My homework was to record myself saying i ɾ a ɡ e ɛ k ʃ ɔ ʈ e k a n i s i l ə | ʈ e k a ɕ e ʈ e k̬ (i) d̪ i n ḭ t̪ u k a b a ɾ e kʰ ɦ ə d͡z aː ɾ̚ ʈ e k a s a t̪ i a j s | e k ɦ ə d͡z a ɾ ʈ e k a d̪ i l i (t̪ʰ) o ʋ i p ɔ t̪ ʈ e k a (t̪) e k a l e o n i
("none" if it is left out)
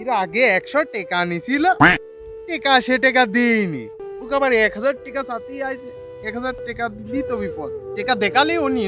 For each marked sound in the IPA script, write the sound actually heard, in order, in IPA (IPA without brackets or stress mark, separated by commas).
a, t̪, d̪